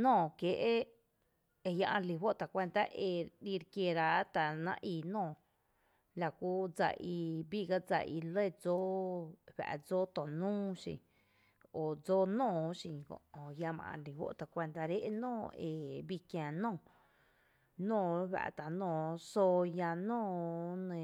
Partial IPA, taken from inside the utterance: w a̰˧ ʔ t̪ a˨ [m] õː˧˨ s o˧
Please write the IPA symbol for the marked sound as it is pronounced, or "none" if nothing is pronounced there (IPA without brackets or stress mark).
n